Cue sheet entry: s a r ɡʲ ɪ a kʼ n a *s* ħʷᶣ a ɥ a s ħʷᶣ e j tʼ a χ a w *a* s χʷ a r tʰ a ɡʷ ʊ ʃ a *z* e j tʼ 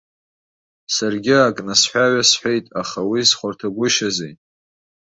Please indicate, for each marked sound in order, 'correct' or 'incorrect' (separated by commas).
correct, incorrect, correct